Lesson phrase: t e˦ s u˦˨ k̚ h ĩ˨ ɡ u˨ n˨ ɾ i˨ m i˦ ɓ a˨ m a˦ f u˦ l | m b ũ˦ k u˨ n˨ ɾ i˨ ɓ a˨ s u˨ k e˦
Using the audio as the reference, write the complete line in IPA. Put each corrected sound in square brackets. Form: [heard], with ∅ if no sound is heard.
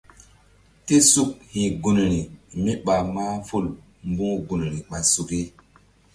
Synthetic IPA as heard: t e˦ s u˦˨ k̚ h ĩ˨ ɡ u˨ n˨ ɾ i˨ m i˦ ɓ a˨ m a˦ f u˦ l | m b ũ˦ [ɡ] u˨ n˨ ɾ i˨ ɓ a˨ s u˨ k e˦